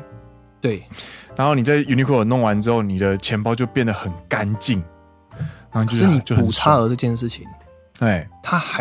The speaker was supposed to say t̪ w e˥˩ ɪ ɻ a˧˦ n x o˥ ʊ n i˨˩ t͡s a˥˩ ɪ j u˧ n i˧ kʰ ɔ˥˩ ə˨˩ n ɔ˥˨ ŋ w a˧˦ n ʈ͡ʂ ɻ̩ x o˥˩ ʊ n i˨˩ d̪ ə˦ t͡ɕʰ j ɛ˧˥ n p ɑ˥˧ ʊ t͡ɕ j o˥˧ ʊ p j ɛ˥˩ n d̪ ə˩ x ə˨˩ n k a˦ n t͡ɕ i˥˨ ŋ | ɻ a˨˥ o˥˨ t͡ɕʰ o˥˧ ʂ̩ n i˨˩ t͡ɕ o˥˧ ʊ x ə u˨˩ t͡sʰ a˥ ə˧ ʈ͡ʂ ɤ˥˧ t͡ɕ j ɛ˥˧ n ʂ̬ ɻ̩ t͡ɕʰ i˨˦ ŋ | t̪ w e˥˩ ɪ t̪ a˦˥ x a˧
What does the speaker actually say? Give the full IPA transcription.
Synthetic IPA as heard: t̪ w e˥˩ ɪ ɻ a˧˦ n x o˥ ʊ n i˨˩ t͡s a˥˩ ɪ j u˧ n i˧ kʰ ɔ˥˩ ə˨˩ n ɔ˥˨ ŋ w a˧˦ n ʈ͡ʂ ɻ̩ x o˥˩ ʊ n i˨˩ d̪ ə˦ t͡ɕʰ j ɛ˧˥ n p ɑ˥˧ ʊ t͡ɕ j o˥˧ ʊ p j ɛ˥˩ n d̪ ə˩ x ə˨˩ n k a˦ n t͡ɕ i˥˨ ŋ | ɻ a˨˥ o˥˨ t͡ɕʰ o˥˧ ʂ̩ n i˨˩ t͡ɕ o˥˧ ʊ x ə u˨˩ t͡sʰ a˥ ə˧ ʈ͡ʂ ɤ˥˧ t͡ɕ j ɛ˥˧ n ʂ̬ ɻ̩ t͡ɕʰ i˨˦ ŋ | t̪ w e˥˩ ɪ t̪ʰ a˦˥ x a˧